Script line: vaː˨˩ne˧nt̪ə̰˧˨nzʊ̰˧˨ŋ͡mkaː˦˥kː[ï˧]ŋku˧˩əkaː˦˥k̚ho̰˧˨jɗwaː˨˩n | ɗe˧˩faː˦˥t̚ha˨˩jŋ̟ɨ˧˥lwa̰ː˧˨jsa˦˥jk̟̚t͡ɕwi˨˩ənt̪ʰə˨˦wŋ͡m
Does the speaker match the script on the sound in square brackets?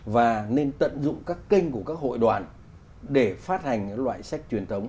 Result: yes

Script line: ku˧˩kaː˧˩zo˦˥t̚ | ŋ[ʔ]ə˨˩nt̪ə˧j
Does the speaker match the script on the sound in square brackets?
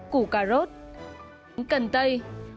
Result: no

